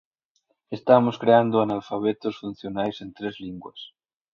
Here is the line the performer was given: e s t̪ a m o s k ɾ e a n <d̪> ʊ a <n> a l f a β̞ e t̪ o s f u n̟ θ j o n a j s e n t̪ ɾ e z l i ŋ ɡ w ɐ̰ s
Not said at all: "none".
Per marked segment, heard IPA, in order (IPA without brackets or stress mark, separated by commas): d̪, n